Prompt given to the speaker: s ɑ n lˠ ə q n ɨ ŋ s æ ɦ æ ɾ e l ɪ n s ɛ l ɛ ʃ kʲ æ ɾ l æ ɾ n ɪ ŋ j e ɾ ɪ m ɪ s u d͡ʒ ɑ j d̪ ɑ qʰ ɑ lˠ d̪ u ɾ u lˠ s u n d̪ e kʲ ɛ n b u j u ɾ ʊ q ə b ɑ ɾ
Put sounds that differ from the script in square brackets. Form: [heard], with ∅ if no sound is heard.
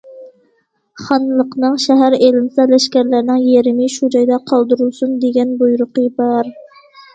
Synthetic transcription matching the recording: [χ] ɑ n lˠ ə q n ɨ ŋ [ʃ] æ ɦ æ ɾ e l ɪ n s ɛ l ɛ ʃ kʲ æ ɾ l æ ɾ n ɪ ŋ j e ɾ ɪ m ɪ [ʃ] u d͡ʒ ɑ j d̪ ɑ qʰ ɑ lˠ d̪ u ɾ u lˠ s u n d̪ e [ɡʲ] ɛ n b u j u ɾ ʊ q ə b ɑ ɾ